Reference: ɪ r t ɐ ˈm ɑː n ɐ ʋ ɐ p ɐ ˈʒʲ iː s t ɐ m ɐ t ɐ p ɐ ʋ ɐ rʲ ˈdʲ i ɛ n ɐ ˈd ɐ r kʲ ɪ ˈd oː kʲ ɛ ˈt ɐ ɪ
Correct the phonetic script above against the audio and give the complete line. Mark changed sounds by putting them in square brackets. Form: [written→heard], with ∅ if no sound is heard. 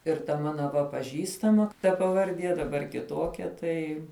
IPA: ɪ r t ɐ ˈm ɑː n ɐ ʋ ɐ p ɐ ˈʒʲ iː s t ɐ m ɐ t ɐ p ɐ ʋ ɐ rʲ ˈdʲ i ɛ [n→d] ɐ [ˈd→ˈb] ɐ r kʲ ɪ [ˈd→ˈt] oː kʲ ɛ ˈt ɐ ɪ